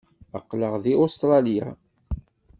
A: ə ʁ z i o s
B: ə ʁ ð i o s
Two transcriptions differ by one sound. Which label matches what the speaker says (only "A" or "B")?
B